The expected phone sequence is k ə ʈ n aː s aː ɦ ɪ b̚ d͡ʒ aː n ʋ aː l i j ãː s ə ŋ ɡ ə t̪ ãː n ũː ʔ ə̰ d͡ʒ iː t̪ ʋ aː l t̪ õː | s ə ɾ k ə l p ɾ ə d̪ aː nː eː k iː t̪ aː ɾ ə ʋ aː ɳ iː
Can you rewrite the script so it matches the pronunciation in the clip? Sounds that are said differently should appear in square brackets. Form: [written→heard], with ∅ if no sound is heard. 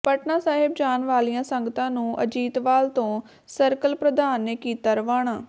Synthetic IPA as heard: [k→p] ə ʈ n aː s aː ɦ ɪ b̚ d͡ʒ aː n ʋ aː l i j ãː s ə ŋ ɡ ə t̪ ãː n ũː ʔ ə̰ d͡ʒ iː t̪ ʋ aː l t̪ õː | s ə ɾ k ə l p ɾ ə d̪ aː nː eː k iː t̪ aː ɾ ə ʋ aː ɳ [iː→aː]